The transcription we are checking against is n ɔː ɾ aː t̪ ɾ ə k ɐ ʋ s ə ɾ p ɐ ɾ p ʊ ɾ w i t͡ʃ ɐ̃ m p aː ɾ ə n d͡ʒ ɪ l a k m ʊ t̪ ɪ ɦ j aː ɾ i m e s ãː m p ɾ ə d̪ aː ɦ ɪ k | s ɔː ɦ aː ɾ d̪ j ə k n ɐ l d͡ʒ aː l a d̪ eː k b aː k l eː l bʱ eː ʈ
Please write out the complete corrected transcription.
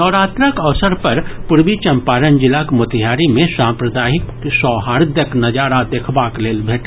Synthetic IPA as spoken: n ɔː ɾ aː t̪ ɾ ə k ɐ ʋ s ə ɾ p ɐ ɾ p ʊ ɾ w i t͡ʃ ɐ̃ m p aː ɾ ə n d͡ʒ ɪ l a k m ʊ t̪ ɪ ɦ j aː ɾ i m ẽ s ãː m p ɾ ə d̪ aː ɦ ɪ k | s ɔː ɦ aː ɾ d̪ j ə k n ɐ d͡ʒ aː ɾ a d̪ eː kʰ b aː k l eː l bʱ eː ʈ